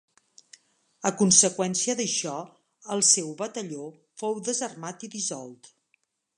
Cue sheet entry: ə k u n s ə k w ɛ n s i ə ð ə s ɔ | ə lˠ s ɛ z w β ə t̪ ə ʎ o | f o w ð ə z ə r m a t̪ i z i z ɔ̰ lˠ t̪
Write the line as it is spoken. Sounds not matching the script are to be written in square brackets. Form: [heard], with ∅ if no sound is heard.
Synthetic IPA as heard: ə k u n s ə k w ɛ n s i ə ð ə [ʃ] ɔ | ə lˠ s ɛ [∅] w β ə t̪ ə ʎ o | f o w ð ə z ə r m a t̪ i [ð] i z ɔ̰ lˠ t̪